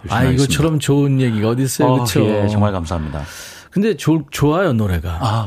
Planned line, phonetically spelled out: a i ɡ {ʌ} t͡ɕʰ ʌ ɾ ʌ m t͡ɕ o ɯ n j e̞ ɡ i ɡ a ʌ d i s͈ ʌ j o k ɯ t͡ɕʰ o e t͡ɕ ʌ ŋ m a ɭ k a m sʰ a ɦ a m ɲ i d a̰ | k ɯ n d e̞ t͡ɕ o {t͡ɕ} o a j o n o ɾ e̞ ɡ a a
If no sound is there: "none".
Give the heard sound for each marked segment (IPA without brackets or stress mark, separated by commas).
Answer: ʌ, t͡ɕ